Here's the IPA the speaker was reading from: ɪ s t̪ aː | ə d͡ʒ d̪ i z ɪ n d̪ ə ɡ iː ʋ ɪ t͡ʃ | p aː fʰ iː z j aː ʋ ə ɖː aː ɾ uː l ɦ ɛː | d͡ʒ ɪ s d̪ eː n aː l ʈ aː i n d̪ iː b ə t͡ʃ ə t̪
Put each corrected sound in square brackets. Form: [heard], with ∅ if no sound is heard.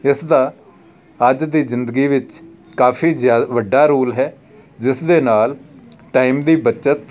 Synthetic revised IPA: ɪ s [d̪] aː | ə d͡ʒ d̪ [iː] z ɪ n d̪ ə ɡ iː ʋ ɪ t͡ʃ | [k] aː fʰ iː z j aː ʋ ə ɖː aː ɾ uː l ɦ ɛː | d͡ʒ ɪ s d̪ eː n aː l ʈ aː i [m] d̪ iː b ə t͡ʃ ə t̪